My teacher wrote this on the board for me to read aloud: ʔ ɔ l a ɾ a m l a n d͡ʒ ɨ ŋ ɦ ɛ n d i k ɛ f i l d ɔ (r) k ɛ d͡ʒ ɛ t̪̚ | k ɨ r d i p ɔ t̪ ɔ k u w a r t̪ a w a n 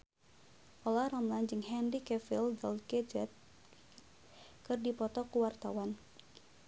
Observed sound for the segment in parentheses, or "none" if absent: l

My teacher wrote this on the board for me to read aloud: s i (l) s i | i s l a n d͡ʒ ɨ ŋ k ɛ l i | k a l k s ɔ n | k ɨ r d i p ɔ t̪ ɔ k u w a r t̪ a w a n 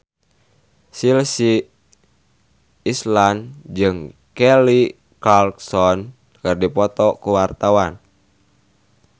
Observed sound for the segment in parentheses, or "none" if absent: l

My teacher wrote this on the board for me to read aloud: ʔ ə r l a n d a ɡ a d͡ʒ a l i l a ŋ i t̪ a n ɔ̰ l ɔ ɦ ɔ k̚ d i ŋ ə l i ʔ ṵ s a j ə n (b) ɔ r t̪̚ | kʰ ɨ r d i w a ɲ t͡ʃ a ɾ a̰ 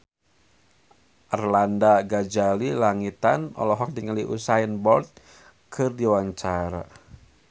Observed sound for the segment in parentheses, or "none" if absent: b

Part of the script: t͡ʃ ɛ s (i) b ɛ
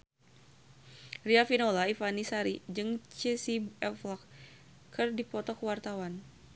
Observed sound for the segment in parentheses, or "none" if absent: i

